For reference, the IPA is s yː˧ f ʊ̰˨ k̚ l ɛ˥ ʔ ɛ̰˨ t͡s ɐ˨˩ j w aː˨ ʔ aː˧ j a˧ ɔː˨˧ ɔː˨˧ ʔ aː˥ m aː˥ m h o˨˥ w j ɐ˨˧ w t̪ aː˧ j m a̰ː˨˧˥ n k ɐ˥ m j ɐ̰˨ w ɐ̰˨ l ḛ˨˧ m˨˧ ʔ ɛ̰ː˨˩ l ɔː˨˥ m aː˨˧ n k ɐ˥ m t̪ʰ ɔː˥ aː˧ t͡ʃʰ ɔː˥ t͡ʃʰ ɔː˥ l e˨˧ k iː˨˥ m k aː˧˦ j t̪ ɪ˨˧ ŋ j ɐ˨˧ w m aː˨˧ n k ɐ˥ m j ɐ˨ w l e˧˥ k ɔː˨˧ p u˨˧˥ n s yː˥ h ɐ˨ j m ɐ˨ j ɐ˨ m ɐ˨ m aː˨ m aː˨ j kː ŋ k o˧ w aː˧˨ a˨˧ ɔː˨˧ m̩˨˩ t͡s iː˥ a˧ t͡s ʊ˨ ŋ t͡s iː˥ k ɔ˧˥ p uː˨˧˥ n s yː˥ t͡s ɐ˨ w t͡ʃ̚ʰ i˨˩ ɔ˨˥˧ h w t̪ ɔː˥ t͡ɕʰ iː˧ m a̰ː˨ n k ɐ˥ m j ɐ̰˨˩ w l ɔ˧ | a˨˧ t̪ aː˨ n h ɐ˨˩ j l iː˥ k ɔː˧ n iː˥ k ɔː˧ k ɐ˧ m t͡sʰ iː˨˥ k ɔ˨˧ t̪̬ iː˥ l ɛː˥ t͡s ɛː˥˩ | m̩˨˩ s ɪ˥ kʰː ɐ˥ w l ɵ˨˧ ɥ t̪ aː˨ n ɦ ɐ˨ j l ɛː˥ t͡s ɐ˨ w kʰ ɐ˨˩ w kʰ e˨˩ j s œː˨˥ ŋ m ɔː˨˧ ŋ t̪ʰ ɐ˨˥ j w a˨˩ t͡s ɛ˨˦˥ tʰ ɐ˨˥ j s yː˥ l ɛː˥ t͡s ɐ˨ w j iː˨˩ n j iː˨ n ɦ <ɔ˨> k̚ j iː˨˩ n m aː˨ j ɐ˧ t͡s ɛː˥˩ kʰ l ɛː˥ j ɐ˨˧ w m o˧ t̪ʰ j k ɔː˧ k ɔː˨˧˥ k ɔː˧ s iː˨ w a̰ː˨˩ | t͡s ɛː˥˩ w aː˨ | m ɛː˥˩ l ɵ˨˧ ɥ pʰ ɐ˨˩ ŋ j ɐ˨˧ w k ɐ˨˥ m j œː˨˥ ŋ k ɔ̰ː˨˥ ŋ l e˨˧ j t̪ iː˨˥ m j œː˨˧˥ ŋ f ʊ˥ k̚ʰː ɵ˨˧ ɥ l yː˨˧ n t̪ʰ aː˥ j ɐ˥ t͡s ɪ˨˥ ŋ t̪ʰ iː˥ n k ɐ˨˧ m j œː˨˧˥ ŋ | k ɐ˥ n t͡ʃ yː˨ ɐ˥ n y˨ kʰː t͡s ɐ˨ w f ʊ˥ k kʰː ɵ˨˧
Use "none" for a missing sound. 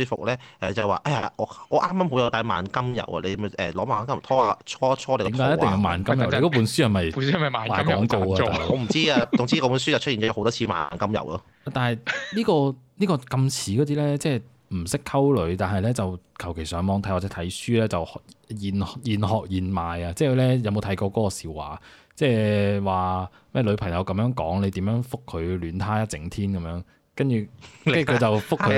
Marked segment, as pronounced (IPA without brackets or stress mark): ɔː˨